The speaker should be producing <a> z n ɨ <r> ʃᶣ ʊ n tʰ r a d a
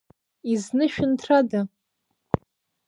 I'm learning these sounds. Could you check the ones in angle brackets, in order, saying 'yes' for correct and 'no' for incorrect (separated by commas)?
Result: no, no